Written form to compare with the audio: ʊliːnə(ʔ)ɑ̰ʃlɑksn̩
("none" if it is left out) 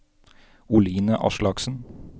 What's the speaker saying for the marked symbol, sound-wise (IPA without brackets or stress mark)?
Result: ʔ